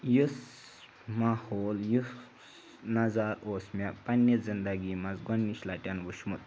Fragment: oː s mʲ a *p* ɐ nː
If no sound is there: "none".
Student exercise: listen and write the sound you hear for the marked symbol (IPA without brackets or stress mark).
p